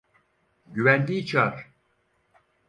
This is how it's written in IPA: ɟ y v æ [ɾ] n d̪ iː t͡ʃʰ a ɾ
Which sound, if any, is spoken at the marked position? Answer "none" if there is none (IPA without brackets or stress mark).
none